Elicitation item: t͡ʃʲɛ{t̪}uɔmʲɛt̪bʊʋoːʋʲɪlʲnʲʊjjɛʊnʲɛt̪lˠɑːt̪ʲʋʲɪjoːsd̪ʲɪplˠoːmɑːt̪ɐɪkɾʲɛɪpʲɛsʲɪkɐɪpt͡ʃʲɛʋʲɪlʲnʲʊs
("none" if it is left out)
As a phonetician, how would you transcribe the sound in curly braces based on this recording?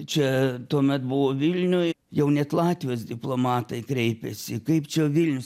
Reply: t̪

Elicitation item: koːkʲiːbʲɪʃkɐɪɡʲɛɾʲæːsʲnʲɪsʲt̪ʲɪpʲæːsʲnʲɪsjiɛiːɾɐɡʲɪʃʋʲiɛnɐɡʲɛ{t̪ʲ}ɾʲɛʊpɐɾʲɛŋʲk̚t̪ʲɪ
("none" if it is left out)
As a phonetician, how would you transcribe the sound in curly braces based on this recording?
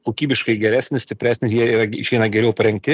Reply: none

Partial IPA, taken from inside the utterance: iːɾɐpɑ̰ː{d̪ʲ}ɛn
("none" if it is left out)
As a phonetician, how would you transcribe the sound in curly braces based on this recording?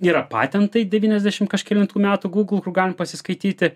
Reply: t̪ʲ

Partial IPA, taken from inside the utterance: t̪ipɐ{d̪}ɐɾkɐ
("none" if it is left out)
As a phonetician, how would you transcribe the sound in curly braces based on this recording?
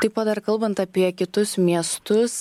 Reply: d̪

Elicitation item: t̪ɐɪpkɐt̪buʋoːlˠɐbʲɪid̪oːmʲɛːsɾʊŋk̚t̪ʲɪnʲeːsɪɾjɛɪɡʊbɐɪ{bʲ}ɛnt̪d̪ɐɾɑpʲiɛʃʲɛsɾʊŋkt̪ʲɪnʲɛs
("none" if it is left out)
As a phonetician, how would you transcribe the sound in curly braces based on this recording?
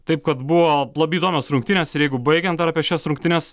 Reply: ɡʲ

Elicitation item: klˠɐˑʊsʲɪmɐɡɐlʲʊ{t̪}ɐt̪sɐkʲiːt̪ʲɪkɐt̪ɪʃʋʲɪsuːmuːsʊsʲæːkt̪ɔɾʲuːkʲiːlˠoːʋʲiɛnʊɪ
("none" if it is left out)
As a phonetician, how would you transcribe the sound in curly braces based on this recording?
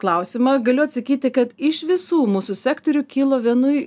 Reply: none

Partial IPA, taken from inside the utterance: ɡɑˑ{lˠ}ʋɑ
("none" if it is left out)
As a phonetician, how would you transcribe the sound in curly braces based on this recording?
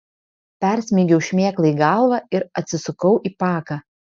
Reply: lˠ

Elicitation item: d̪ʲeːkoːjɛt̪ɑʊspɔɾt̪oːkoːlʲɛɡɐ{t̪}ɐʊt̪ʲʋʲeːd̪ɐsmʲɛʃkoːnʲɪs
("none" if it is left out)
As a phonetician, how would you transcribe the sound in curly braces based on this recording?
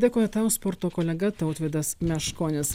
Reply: t̪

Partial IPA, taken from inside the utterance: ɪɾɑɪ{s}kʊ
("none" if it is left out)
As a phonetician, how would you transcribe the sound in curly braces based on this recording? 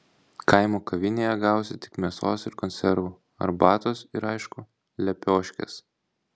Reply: ʃ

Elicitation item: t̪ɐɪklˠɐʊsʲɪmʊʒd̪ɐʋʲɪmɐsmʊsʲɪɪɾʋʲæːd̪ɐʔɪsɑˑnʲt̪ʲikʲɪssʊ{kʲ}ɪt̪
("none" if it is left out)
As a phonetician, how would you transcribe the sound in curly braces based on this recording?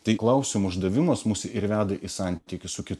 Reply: kʲ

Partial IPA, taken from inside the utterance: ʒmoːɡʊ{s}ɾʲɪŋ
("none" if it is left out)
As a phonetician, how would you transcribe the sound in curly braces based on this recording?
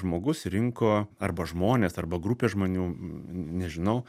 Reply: s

